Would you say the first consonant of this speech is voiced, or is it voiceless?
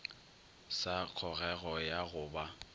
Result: voiceless